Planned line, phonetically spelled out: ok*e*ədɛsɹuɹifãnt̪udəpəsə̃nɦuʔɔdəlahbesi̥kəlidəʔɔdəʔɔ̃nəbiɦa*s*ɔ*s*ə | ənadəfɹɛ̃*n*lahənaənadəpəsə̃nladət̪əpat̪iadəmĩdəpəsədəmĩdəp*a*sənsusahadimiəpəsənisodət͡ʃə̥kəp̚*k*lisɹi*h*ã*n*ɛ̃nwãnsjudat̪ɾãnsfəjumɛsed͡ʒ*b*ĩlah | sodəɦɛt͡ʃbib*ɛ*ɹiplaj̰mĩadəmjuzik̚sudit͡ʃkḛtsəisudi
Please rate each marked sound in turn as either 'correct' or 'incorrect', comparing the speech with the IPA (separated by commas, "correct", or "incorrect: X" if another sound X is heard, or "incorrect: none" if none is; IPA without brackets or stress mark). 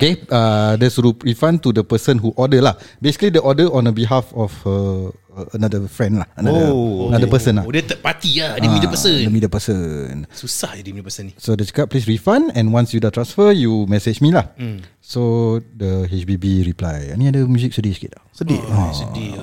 correct, incorrect: f, incorrect: f, correct, incorrect: ə, incorrect: p, incorrect: f, correct, incorrect: m, incorrect: i